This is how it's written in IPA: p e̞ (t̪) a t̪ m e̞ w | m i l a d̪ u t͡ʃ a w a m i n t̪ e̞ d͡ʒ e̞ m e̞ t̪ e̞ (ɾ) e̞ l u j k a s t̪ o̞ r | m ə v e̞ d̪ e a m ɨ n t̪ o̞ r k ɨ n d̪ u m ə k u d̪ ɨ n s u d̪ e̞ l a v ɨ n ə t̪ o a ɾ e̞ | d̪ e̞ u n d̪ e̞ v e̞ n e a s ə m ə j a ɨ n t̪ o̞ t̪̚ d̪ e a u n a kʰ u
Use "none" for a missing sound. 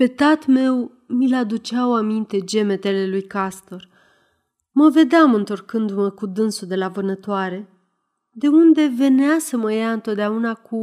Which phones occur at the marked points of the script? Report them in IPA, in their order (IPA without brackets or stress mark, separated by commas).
t̪, l